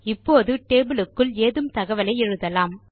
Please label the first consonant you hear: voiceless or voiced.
voiceless